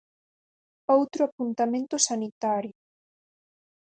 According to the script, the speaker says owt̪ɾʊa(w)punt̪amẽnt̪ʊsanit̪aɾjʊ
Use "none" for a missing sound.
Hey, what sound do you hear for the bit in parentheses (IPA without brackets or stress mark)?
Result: none